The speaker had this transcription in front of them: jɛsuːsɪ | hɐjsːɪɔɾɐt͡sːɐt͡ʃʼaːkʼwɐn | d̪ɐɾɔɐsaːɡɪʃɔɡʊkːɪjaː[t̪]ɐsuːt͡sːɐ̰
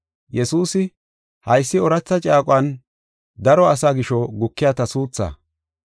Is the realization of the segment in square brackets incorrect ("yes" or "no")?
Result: no